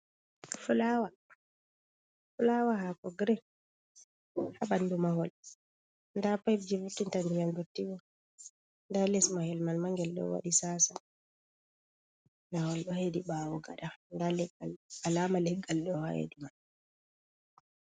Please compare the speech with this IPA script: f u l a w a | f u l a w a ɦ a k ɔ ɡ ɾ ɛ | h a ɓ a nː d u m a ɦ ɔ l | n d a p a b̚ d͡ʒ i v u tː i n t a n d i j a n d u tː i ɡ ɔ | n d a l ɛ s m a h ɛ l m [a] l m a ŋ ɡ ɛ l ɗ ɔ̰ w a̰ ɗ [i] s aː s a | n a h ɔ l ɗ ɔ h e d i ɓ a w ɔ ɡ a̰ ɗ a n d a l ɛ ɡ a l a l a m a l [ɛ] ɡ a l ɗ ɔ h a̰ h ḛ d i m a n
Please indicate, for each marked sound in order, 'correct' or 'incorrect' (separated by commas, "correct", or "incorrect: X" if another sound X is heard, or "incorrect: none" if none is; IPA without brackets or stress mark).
correct, correct, correct